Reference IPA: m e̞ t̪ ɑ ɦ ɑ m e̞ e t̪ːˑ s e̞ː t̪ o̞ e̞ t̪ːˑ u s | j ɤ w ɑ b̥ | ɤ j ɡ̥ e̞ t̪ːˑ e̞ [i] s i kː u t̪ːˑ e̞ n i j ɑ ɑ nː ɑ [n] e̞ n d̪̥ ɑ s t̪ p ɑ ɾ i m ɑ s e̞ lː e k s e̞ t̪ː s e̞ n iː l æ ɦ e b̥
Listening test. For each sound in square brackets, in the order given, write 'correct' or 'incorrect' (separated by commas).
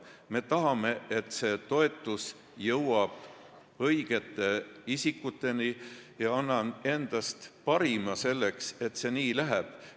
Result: correct, correct